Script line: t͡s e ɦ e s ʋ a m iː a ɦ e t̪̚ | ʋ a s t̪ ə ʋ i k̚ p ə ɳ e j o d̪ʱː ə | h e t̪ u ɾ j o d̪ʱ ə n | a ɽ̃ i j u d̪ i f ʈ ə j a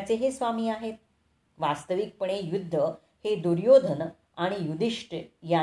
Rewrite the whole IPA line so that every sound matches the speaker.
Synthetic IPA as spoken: t͡s e ɦ e s ʋ a m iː a ɦ e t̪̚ | ʋ a s t̪ ə ʋ i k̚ p ə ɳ e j u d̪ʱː ə | h e d̪ u ɾ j o d̪ʱ ə n | a ɽ̃ i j u d̪ i ʂ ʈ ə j a